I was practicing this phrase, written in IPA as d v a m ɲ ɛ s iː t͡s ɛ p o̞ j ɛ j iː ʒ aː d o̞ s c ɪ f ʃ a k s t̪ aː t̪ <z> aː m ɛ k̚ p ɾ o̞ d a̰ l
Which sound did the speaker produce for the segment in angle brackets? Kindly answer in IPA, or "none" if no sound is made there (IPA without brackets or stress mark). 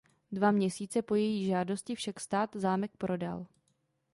z